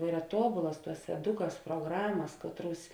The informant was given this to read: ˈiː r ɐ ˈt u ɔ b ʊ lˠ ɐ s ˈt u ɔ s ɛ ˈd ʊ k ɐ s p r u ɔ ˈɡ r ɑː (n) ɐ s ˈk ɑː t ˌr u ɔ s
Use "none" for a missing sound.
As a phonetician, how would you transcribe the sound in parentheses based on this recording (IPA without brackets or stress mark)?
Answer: m